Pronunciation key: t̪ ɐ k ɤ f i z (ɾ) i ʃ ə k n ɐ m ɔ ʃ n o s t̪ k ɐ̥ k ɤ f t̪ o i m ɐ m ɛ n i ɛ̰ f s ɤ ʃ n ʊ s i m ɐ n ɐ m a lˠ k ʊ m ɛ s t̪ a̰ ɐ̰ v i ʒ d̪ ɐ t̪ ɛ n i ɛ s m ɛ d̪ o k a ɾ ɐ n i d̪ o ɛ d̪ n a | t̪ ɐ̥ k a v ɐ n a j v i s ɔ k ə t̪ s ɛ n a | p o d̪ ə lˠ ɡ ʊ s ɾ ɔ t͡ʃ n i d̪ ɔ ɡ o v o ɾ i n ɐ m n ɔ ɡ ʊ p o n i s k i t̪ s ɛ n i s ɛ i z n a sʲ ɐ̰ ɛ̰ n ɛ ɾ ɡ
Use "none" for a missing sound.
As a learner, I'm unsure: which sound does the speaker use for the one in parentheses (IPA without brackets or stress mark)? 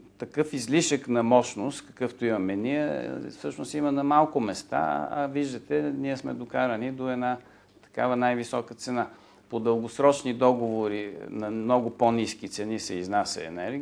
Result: l